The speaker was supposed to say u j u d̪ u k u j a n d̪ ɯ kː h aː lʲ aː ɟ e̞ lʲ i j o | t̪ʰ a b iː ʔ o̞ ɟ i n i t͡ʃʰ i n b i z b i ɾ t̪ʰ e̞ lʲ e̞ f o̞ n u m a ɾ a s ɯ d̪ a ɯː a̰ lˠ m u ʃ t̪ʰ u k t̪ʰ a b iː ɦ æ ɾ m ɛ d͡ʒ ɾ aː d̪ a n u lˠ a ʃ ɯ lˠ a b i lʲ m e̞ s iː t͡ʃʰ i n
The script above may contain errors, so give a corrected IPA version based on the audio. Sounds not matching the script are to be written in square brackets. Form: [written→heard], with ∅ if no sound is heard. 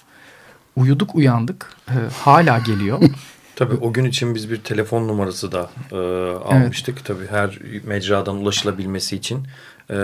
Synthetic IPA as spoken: u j u d̪ u k u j a n d̪ ɯ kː h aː lʲ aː ɟ e̞ lʲ i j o | t̪ʰ a b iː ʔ o̞ ɟ [i→y] n i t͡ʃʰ i n b i z b i ɾ t̪ʰ e̞ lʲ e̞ f o̞ [n→nː] u m a ɾ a s ɯ d̪ a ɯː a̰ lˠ m [u→ɯ] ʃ t̪ʰ [u→ɯ] k t̪ʰ a b iː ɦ æ ɾ m ɛ d͡ʒ ɾ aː d̪ a n u lˠ a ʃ ɯ lˠ a b i lʲ m e̞ s iː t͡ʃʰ i n